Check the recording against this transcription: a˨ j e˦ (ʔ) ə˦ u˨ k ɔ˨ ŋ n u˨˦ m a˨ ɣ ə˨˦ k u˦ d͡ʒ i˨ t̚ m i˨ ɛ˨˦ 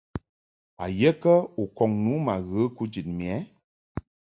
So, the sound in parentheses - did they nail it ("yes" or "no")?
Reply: no